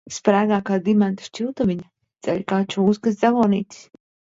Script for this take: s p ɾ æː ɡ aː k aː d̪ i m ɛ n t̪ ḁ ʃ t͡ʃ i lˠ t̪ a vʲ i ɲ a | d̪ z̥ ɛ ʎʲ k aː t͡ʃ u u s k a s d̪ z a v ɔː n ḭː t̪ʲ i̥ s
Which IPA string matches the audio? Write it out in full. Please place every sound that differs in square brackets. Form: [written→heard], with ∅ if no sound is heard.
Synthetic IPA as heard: s p ɾ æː ɡ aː k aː d̪ i m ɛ n t̪ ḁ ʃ t͡ʃ i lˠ t̪ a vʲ i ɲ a | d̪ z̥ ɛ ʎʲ k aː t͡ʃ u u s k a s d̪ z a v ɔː n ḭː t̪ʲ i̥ s